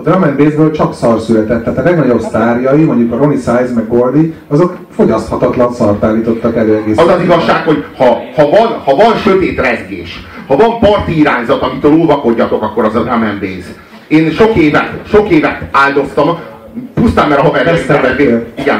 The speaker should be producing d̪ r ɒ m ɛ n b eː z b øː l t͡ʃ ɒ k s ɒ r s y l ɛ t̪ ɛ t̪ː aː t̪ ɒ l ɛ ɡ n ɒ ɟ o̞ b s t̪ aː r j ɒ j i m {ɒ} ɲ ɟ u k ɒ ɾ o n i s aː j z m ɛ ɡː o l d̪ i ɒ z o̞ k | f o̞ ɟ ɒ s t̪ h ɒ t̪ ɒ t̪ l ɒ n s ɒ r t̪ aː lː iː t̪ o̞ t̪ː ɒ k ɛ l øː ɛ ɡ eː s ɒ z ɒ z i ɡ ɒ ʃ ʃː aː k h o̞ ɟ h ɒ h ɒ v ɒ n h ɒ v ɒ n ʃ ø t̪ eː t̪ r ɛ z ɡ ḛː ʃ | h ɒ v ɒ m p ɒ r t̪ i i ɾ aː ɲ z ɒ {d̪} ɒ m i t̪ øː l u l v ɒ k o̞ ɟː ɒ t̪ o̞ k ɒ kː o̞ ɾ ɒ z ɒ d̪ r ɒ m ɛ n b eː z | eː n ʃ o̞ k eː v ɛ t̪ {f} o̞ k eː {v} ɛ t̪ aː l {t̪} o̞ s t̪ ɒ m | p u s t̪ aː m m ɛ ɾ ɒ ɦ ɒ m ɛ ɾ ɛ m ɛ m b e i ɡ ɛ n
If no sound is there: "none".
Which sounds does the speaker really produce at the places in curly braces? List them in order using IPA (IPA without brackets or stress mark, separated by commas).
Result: o, t̪, ʃ, v, d̪